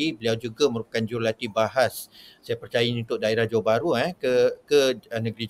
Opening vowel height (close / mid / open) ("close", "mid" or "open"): close